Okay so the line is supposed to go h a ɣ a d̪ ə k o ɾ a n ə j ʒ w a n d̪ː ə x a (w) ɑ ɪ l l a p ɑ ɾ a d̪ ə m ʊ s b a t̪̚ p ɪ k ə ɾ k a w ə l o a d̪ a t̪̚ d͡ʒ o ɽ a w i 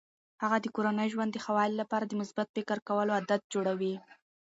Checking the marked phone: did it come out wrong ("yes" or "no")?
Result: no